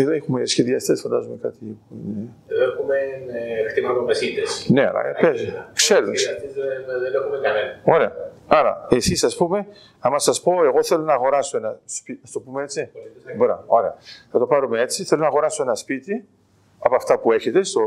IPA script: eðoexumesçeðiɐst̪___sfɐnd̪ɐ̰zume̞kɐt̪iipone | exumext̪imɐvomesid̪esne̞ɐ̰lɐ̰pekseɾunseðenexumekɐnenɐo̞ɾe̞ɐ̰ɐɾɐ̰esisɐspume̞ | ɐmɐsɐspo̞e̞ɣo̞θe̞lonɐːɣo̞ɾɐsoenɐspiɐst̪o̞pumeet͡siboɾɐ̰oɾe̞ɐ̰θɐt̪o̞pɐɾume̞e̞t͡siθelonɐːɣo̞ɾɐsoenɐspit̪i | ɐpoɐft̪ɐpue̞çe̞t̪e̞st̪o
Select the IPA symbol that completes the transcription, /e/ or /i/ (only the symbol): e